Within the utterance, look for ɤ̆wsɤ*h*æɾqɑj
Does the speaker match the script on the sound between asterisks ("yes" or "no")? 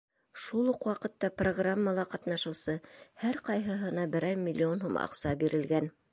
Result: yes